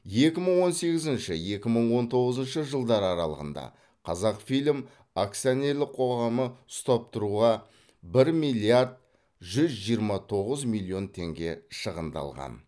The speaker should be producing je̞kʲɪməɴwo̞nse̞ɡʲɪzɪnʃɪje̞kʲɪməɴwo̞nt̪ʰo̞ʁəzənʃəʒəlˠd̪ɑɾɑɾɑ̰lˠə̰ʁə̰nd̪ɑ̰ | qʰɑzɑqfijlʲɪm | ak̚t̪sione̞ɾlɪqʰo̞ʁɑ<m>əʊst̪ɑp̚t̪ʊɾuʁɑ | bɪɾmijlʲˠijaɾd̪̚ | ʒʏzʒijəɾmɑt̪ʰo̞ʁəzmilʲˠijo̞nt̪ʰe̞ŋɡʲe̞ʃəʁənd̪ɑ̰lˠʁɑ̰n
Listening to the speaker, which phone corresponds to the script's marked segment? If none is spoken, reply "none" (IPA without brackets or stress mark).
m